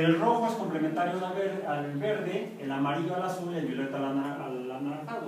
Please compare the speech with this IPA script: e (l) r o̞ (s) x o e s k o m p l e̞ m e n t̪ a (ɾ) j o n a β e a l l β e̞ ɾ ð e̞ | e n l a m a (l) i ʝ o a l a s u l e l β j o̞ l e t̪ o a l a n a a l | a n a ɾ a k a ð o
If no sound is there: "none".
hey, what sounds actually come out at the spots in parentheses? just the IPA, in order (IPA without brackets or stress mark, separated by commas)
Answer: l, none, ɾ, ɾ